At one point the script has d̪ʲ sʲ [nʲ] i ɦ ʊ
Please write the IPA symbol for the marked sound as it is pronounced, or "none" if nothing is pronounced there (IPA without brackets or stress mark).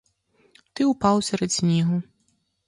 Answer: nʲ